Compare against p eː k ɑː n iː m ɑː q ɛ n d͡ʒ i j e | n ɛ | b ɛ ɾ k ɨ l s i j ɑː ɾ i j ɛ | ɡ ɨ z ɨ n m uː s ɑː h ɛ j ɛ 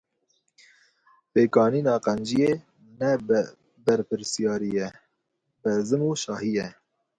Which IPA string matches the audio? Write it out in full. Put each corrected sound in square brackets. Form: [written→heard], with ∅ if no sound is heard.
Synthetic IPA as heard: p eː k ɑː n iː [m→n] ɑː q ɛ n d͡ʒ i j e | n ɛ | b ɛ ɾ [k→p] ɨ [l→ɾ] s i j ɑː ɾ i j ɛ | [ɡ→b] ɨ z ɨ [n→∅] m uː [s→ʃ] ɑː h [ɛ→i] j ɛ